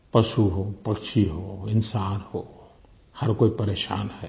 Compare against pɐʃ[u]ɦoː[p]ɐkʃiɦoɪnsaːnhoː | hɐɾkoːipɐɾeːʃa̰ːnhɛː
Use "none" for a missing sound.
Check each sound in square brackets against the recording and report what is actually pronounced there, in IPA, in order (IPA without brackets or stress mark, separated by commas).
u, p